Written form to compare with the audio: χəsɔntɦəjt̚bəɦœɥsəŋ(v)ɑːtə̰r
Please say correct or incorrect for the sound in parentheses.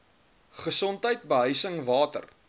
correct